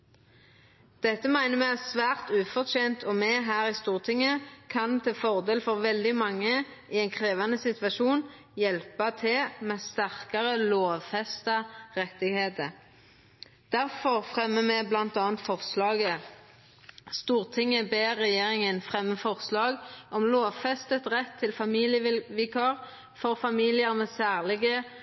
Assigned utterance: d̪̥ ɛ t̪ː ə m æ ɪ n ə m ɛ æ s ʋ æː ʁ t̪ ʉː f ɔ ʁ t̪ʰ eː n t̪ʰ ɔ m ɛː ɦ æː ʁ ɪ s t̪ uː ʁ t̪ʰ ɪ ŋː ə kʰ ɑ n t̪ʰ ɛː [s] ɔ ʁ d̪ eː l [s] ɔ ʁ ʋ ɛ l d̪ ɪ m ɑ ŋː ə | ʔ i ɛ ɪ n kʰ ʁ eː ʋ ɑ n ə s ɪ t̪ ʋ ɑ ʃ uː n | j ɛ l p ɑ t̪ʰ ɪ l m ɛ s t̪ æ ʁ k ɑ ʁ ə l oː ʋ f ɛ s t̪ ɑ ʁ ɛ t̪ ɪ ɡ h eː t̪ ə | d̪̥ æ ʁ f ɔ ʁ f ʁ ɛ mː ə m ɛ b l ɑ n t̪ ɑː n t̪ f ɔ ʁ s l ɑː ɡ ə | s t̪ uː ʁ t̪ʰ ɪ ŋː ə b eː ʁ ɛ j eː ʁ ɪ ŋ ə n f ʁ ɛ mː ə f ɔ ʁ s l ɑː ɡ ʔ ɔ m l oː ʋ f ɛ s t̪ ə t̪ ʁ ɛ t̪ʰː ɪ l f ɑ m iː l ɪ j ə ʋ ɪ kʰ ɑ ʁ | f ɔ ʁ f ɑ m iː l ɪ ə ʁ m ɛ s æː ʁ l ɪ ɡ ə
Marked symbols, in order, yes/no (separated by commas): no, no